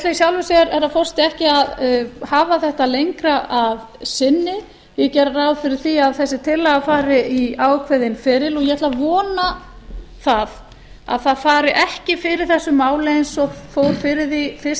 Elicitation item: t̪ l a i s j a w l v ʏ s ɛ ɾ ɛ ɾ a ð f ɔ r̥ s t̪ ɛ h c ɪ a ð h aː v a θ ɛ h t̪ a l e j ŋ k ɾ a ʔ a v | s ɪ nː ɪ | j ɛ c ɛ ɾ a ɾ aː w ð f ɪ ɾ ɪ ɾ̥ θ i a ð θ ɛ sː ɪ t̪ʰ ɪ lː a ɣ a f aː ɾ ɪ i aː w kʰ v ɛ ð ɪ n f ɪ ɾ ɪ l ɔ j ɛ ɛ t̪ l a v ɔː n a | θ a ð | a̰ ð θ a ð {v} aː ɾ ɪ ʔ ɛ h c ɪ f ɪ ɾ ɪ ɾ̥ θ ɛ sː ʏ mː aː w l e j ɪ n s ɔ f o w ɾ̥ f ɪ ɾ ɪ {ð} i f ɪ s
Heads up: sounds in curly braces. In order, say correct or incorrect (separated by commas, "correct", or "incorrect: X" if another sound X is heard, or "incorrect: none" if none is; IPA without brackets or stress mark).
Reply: incorrect: f, correct